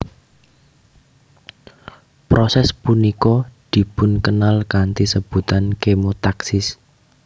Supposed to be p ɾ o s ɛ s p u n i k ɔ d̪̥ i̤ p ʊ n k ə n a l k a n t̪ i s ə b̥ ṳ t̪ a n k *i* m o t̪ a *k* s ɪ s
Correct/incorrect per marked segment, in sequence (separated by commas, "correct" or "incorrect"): incorrect, correct